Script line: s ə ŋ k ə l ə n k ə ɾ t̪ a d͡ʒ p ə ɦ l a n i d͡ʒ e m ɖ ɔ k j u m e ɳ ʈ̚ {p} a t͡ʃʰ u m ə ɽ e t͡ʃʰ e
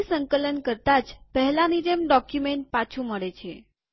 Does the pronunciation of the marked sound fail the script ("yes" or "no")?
no